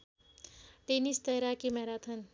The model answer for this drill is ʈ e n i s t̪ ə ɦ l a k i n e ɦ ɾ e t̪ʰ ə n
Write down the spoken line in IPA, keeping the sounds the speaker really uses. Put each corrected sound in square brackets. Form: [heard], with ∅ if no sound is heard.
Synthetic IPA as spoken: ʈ e n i s t̪ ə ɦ [ɾ] a k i [m] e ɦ ɾ [a] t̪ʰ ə n

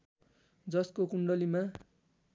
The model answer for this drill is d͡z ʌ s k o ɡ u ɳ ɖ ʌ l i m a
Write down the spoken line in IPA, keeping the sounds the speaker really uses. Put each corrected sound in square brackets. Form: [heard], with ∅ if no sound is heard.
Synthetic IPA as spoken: d͡z ʌ s k o [k] u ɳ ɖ ʌ l i m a

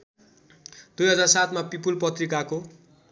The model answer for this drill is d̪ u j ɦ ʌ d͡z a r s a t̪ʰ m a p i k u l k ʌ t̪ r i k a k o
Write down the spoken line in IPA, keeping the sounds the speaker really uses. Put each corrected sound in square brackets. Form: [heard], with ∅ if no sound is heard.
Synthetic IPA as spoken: d̪ u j ɦ ʌ d͡z a r s a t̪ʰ m a p i [p] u l [p] ʌ t̪ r i k a k o

